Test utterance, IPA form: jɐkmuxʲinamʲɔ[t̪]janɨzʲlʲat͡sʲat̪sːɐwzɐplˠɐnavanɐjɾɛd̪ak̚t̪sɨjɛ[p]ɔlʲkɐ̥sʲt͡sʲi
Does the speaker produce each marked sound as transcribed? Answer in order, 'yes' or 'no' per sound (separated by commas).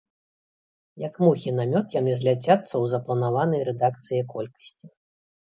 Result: yes, no